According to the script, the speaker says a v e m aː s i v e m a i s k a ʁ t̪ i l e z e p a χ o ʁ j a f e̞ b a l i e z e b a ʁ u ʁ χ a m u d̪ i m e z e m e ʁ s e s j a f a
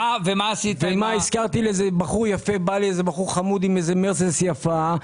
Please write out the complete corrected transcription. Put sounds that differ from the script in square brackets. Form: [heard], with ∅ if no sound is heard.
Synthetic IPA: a v e m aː s i v e m a i s k a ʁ t̪ i l e z e [b] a χ [u] ʁ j a f e̞ b a l i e z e b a [χ] u ʁ χ a m u d̪ i m e z e m e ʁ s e s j a f a